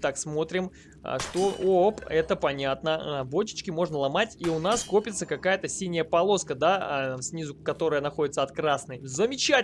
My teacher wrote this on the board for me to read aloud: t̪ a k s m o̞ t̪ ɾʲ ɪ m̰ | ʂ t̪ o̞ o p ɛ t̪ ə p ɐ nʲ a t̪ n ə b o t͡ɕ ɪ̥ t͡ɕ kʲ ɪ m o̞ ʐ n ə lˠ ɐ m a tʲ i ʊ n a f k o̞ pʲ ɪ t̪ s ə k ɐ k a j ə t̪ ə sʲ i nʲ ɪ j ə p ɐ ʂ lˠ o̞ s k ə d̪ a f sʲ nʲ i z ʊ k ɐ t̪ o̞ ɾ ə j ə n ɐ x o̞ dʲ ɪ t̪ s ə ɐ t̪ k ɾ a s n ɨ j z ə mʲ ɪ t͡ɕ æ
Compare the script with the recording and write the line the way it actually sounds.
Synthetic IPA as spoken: t̪ a k s m o̞ t̪ ɾʲ ɪ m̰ | ʂ t̪ o̞ o p ɛ t̪ ə p ɐ nʲ a t̪ n ə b o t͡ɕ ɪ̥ t͡ɕ kʲ ɪ m o̞ ʐ n ə lˠ ɐ m a tʲ i ʊ n a s k o̞ pʲ ɪ t̪ s ə k ɐ k a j ə t̪ ə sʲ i nʲ ɪ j ə p ɐ lˠ o̞ s k ə d̪ a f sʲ nʲ i z ʊ k ɐ t̪ o̞ ɾ ə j ə n ɐ x o̞ dʲ ɪ t̪ s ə ɐ t̪ k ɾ a s n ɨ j z ə mʲ ɪ t͡ɕ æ